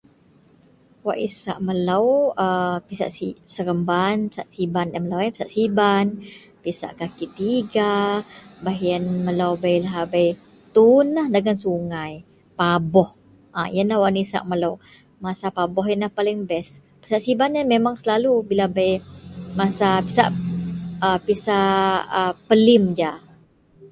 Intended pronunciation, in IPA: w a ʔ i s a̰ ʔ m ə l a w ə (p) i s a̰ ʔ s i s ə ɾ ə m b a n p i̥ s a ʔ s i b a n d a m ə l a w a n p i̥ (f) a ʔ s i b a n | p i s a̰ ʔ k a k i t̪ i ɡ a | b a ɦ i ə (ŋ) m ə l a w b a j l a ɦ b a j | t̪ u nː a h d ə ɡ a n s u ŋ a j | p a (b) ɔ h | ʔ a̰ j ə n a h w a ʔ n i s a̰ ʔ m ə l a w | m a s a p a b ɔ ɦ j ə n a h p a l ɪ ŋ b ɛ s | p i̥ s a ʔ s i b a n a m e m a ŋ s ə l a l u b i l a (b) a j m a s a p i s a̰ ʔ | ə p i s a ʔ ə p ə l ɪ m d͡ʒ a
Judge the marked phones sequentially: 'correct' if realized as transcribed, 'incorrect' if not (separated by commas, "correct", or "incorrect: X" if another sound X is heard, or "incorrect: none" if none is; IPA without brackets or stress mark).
correct, incorrect: s, incorrect: n, correct, correct